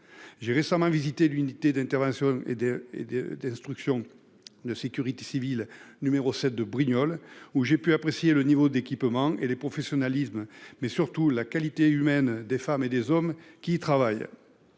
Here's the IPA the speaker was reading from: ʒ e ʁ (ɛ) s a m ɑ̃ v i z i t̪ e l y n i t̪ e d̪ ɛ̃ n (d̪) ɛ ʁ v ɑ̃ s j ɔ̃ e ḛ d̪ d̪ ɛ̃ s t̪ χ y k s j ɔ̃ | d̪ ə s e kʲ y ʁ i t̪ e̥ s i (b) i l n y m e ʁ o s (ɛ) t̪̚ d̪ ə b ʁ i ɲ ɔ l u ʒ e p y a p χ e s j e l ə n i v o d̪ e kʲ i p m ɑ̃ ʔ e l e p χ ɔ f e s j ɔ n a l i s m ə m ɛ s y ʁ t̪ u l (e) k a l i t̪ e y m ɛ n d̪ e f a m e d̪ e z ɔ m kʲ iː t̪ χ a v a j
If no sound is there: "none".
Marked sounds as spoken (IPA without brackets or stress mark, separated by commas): e, t̪, v, ɛ, a